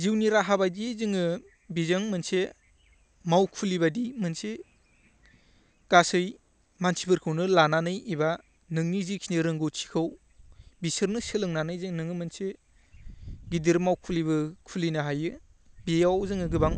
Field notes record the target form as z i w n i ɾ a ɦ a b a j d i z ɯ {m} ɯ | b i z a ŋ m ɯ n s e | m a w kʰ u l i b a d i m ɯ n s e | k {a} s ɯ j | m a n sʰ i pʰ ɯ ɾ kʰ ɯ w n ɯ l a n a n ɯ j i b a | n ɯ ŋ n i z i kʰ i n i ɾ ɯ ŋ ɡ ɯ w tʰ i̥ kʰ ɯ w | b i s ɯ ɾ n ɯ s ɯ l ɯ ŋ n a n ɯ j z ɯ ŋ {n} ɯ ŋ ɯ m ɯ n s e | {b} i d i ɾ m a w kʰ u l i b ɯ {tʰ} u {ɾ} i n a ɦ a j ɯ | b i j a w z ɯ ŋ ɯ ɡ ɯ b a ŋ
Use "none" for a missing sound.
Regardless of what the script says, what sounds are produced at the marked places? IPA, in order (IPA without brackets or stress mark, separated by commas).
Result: ŋ, a, n, ɡ, kʰ, l